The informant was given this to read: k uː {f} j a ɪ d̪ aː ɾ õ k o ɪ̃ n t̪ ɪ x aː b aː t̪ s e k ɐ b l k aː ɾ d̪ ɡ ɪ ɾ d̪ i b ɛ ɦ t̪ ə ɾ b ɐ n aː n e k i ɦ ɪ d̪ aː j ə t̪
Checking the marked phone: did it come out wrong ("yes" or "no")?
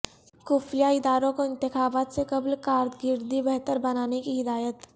no